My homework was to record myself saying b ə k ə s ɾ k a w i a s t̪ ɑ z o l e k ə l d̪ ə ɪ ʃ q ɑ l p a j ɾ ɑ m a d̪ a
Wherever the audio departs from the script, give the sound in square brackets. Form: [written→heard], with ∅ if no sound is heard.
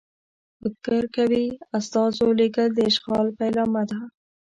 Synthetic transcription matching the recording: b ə k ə [s→∅] ɾ k a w i a s t̪ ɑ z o l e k ə l d̪ ə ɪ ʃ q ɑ l p a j [ɾ→l] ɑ m a d̪ a